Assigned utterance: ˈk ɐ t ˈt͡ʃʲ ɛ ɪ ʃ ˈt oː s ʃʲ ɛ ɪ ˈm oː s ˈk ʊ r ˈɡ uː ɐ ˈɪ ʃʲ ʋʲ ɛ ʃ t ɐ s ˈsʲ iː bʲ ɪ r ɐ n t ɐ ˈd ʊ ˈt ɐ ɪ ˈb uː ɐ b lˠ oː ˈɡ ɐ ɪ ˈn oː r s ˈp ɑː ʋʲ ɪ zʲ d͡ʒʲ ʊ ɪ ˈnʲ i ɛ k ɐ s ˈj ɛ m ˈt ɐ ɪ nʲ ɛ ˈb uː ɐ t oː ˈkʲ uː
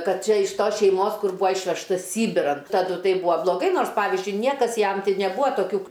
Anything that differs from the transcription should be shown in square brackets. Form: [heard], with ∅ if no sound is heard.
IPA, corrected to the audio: ˈk ɐ t ˈt͡ʃʲ ɛ ɪ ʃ ˈt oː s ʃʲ ɛ ɪ ˈm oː s ˈk ʊ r [ˈb] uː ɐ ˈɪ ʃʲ ʋʲ ɛ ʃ t ɐ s ˈsʲ iː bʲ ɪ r ɐ n t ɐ ˈd ʊ ˈt ɐ ɪ ˈb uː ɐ b lˠ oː ˈɡ ɐ ɪ ˈn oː r s ˈp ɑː ʋʲ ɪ zʲ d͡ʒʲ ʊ ɪ ˈnʲ i ɛ k ɐ s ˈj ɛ m ˈt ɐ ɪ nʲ ɛ ˈb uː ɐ t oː ˈkʲ uː